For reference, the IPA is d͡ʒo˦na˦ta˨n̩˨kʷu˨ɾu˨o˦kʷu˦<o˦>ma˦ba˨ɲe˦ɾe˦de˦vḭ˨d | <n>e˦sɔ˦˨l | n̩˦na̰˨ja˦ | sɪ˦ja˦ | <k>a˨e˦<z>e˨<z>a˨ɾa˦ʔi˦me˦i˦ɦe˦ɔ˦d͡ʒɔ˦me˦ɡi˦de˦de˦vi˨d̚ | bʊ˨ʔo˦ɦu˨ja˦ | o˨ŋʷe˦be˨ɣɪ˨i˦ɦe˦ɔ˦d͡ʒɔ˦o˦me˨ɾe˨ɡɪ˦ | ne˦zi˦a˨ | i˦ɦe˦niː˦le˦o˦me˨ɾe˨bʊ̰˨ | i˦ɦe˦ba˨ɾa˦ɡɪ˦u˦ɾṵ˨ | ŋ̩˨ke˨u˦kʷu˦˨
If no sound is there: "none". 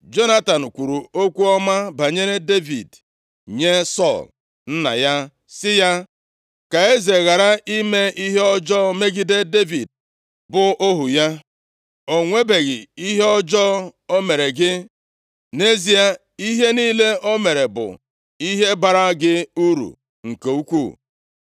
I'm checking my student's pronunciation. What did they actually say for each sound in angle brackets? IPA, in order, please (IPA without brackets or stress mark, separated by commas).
ɔ˦, ɲ, k, z, ɣ